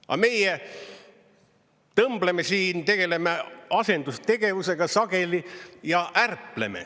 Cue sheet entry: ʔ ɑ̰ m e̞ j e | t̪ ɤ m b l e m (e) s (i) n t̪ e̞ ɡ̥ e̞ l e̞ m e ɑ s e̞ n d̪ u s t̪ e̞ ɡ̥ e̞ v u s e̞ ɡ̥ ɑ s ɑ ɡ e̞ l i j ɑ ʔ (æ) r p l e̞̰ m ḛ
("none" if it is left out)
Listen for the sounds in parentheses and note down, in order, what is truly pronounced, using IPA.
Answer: e, iː, æ

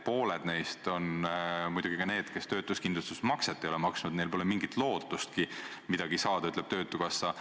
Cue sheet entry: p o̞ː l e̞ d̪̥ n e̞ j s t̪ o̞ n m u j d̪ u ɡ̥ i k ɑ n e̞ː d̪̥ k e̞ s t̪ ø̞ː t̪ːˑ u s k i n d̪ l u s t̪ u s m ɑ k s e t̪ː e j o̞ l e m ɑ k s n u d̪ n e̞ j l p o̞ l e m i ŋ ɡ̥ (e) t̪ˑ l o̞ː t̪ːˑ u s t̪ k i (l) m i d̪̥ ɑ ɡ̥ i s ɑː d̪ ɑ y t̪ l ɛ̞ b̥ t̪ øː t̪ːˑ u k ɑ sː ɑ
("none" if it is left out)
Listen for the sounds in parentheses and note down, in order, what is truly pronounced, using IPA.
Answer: i, none

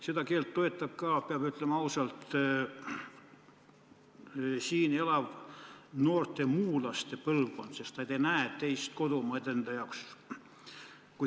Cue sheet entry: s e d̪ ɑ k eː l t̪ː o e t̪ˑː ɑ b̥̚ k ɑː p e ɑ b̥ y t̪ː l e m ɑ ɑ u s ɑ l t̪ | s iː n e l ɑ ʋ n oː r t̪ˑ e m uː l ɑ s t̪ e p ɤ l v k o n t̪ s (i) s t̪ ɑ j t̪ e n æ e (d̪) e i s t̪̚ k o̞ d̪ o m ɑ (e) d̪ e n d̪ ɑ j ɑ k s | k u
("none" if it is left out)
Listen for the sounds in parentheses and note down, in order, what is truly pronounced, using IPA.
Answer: e, t̪, e

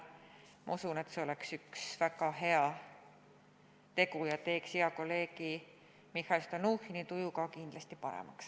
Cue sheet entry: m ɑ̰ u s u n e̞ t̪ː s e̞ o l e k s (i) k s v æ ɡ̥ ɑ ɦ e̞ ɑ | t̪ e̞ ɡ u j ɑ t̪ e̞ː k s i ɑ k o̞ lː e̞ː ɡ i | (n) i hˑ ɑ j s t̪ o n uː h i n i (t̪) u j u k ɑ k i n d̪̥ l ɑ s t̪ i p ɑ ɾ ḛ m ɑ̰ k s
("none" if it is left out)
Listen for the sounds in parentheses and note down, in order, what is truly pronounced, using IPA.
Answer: y, m, t̪

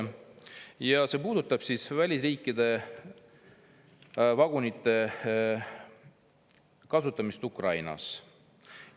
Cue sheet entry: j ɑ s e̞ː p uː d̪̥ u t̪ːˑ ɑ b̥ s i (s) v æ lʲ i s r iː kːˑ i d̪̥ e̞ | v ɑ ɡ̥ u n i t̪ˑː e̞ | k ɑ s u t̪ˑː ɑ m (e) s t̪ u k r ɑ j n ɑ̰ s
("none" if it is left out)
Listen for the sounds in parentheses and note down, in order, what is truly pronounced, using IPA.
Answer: s, i

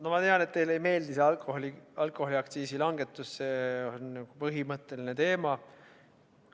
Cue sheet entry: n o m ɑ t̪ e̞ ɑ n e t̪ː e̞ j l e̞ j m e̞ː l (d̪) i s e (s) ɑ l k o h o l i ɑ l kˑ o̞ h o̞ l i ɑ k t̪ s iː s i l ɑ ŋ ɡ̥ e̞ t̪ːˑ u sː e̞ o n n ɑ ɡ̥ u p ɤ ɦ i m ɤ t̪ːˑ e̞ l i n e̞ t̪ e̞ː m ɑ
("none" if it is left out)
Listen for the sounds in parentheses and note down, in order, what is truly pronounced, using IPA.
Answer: d̪, none

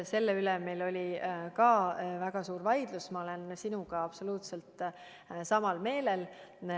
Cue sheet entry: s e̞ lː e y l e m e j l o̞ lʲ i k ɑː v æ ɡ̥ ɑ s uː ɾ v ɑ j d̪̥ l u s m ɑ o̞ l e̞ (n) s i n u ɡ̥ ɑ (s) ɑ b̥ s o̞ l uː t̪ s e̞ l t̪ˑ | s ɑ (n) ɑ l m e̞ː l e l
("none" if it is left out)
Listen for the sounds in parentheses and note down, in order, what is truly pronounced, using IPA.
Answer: n, none, m

